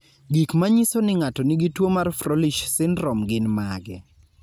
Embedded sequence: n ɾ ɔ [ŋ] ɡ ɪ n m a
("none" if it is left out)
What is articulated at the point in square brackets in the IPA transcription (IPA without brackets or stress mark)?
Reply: m